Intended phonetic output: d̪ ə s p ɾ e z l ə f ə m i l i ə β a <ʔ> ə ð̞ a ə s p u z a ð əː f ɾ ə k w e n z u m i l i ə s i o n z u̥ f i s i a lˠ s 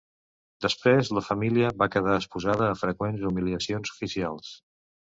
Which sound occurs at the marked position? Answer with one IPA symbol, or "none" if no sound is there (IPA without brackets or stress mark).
k